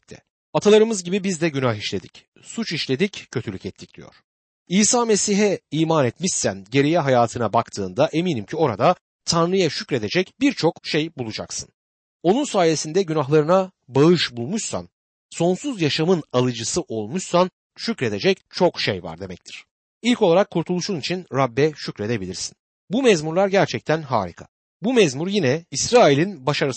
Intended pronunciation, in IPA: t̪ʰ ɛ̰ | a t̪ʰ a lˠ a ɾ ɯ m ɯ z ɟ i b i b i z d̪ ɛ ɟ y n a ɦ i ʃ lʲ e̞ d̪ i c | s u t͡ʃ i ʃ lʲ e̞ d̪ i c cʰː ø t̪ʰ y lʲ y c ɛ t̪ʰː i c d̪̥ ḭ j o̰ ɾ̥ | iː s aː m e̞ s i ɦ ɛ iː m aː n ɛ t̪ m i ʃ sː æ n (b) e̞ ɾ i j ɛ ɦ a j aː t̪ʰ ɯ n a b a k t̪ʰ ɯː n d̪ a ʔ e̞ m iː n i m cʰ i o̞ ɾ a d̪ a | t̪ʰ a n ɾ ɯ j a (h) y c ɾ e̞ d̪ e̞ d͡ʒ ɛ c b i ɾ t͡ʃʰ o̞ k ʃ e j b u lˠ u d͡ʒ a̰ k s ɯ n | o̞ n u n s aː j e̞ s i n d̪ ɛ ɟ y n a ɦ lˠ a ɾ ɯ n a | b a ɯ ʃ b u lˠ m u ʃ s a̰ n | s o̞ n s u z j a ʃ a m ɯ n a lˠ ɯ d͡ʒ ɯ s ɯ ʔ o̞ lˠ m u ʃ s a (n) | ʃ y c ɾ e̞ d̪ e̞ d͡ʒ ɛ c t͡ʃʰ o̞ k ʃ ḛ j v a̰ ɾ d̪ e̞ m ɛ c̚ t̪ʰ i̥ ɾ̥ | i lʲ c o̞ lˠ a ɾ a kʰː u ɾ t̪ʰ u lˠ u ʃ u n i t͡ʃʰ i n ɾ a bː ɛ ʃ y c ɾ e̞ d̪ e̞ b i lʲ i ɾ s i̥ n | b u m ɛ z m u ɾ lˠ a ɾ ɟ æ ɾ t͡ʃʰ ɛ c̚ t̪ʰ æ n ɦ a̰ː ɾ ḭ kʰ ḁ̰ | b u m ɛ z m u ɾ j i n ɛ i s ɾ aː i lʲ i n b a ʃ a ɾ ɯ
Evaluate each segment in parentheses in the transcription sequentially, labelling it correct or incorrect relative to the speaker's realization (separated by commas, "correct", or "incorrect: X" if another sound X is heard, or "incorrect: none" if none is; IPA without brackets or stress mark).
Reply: incorrect: ɟ, incorrect: ʃ, correct